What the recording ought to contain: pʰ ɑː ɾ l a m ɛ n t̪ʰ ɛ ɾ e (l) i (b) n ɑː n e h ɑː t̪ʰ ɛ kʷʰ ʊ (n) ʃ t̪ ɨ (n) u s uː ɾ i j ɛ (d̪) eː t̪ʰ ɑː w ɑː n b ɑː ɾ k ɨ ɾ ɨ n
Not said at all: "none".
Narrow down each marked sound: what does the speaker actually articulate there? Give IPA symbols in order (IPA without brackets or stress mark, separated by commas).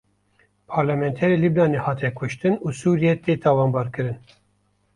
l, b, none, n, t̪